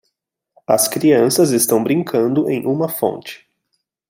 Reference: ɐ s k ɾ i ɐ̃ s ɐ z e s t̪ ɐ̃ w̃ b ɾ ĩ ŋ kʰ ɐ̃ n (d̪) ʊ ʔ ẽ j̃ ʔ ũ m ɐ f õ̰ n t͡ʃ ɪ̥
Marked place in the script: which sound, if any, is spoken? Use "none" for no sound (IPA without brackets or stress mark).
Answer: d̪